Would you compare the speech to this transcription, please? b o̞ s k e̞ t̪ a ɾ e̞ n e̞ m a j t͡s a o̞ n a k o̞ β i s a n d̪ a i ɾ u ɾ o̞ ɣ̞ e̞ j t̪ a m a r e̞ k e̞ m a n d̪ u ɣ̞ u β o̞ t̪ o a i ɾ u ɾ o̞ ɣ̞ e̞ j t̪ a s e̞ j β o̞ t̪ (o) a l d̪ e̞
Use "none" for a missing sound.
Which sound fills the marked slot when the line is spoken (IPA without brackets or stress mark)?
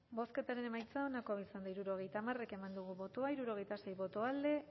o